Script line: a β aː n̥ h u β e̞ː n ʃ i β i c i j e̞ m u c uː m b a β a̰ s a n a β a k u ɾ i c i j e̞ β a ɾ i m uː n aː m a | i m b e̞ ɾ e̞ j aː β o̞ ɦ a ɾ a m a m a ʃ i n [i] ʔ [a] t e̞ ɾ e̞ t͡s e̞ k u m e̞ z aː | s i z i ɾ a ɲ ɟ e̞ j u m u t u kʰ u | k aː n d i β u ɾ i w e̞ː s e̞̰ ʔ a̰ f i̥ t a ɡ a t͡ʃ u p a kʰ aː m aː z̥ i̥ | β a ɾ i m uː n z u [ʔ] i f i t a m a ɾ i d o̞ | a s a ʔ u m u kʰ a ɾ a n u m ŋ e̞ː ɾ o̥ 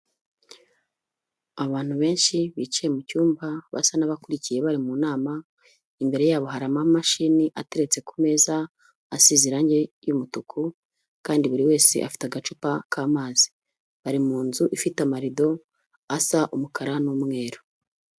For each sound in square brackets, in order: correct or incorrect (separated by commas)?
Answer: correct, correct, correct